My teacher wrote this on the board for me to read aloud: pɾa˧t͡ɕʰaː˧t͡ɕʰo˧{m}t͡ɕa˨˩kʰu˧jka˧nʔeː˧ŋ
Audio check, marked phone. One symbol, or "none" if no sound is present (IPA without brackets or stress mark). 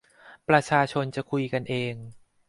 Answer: n